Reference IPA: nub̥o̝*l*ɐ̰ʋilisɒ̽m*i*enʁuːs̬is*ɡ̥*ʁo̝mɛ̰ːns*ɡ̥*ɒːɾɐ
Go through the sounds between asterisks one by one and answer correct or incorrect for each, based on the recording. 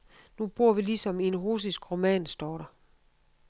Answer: incorrect: none, correct, correct, incorrect: d̥

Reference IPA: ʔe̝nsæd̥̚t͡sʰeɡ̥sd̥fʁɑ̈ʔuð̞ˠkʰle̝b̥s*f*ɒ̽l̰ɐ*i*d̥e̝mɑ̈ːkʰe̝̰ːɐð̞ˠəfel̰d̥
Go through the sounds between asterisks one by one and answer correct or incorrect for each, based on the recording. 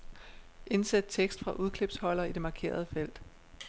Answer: incorrect: h, correct

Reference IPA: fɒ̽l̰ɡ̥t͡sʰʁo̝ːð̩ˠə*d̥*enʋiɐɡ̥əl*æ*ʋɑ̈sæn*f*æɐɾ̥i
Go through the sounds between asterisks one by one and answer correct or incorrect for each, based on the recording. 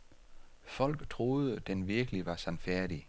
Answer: correct, incorrect: i, correct

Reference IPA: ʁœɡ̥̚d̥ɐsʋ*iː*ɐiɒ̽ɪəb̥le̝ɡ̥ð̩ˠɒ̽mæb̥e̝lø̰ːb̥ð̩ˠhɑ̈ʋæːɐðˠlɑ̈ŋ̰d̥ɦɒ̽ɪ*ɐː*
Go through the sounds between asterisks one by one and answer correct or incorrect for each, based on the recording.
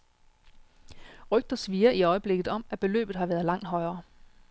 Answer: correct, correct

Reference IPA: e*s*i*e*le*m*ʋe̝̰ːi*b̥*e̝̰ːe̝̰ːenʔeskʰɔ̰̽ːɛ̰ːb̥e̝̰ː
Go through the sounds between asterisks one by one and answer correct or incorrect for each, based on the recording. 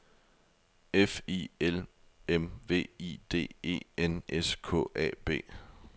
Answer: incorrect: f, correct, correct, incorrect: d̥

